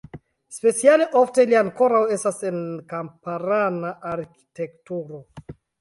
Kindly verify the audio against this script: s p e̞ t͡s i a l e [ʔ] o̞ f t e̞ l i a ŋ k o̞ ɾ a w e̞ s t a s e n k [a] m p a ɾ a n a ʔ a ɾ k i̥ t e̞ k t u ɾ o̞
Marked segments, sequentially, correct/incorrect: correct, correct

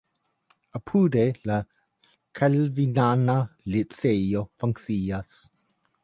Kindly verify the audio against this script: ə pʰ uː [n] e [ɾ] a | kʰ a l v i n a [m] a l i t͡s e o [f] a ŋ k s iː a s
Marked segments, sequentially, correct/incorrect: incorrect: d, incorrect: l, incorrect: n, correct

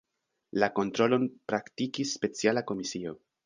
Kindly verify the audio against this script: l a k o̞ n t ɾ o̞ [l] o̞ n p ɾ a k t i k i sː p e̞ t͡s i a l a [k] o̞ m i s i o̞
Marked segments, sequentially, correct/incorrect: correct, correct

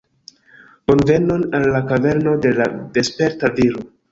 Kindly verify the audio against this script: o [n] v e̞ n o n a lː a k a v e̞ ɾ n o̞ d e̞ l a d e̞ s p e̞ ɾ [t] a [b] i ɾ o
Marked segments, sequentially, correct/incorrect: correct, correct, incorrect: v

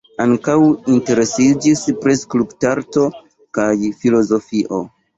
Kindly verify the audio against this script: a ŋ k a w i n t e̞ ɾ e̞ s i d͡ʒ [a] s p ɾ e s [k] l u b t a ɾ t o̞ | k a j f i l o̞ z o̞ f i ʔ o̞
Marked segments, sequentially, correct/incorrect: incorrect: i, correct

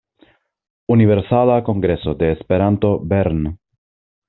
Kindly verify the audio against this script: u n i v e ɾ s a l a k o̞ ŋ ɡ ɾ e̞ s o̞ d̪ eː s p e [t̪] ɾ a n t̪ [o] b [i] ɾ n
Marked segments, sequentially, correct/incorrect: incorrect: none, correct, incorrect: e

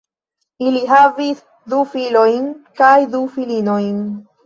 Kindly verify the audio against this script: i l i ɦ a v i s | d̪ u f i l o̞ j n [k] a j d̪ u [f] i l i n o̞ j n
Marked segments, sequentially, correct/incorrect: correct, correct

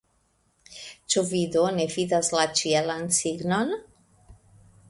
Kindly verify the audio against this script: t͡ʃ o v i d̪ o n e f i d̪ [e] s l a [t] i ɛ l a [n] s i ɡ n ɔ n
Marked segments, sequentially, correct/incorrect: incorrect: a, incorrect: t͡ʃ, correct

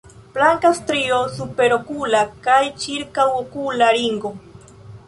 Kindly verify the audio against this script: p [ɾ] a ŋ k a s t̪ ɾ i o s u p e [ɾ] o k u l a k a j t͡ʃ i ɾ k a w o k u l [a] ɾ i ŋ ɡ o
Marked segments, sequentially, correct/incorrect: incorrect: l, correct, correct

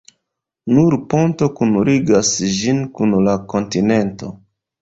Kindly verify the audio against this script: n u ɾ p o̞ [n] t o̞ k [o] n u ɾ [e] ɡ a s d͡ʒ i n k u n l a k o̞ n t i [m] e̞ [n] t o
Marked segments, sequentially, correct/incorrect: correct, incorrect: u, incorrect: i, incorrect: n, correct

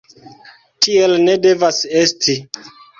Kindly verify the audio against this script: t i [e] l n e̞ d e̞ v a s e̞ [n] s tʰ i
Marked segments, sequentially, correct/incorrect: correct, incorrect: none

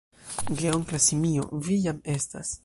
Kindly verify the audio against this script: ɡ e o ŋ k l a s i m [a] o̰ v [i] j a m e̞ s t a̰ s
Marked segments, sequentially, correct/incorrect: incorrect: i, correct

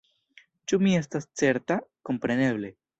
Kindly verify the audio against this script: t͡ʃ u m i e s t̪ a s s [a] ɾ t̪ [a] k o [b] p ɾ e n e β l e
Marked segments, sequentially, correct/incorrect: incorrect: e, correct, incorrect: m

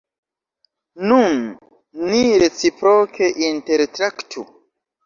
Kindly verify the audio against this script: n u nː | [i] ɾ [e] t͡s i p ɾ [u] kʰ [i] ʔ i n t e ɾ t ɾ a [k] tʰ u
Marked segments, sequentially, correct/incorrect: correct, correct, incorrect: o, incorrect: e, correct

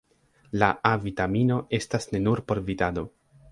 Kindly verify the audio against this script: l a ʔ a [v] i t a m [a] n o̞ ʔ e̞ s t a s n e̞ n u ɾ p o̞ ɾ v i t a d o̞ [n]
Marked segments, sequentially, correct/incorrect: correct, incorrect: i, incorrect: none

